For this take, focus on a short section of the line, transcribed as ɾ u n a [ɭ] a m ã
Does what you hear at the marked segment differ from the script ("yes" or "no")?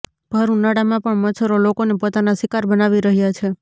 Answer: yes